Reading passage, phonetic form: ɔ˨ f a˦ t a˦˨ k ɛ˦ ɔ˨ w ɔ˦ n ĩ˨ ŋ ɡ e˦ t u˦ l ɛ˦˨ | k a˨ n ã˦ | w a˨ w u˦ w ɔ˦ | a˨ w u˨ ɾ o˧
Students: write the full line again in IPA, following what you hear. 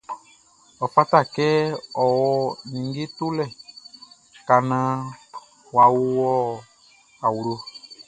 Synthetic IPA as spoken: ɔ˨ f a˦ t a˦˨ k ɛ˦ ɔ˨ w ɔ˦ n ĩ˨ ŋ ɡ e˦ t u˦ l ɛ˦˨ | k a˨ n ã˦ | w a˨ w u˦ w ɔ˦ | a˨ w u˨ ɾ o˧